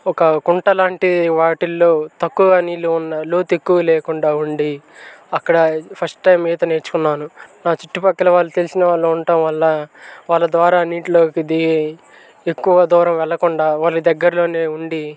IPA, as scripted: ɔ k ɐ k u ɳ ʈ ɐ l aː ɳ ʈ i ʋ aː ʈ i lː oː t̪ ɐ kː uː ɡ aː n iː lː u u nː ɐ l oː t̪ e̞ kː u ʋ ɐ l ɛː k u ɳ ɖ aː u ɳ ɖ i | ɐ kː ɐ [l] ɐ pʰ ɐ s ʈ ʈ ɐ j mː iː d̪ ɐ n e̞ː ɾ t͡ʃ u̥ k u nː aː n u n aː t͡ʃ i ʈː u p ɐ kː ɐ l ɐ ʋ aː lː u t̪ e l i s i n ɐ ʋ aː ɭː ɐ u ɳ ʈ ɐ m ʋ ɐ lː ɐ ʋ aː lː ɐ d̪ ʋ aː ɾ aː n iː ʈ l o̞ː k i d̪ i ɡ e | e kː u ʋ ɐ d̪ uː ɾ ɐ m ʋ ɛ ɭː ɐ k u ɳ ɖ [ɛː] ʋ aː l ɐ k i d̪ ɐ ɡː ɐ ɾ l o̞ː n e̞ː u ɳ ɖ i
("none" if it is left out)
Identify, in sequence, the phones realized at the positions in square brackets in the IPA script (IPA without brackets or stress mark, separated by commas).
ɽ, aː